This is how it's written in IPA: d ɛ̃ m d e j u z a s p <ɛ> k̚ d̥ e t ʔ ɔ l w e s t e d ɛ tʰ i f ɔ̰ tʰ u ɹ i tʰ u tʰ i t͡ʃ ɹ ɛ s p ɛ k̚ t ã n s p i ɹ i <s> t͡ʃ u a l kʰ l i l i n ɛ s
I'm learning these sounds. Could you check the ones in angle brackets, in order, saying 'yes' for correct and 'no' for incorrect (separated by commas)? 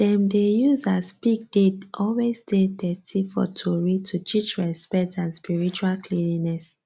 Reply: no, no